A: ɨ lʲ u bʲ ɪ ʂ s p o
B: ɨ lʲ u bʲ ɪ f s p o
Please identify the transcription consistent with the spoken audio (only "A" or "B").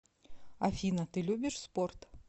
A